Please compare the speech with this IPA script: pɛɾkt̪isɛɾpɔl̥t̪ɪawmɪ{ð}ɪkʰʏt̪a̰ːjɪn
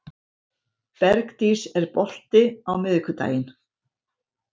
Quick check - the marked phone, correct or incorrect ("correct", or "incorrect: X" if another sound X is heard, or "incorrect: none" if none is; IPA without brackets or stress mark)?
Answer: correct